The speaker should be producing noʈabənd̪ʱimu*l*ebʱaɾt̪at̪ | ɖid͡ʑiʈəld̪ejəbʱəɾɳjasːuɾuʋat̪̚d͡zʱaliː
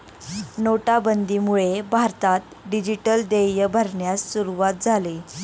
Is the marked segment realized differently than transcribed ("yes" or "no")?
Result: yes